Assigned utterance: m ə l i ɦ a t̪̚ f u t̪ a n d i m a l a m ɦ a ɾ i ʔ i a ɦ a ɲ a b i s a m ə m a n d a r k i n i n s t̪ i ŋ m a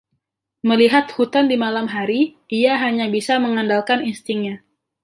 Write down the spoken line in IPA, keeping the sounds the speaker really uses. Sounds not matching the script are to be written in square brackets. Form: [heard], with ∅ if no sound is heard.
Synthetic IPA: m ə l i ɦ a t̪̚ [h] u t̪ a n d i m a l a m ɦ a ɾ i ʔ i a ɦ a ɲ a b i s a m ə [ŋ] a n d a [l] k [a] n i n s t̪ i ŋ [ɲ] a